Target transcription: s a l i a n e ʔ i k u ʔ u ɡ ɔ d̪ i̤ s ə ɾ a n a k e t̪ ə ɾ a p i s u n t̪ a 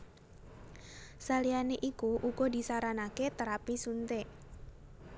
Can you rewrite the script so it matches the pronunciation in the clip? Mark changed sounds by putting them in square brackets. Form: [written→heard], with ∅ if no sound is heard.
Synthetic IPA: s a l i a n e ʔ i k u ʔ u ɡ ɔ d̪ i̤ s [ə→a] ɾ a n a k e t̪ ə ɾ a p i s u n t̪ [a→e]